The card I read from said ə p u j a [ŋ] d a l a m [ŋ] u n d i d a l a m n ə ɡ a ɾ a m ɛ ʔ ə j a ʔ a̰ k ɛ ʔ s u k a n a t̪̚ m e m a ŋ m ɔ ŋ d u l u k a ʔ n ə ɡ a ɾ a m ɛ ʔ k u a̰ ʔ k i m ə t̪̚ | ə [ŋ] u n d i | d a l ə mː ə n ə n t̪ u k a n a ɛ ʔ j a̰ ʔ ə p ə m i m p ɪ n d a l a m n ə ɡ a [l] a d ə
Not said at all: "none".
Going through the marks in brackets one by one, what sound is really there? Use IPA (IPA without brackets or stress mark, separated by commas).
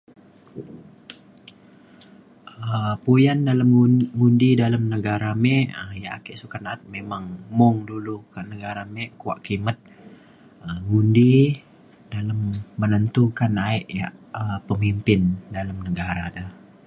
n, ŋ, ŋ, ɾ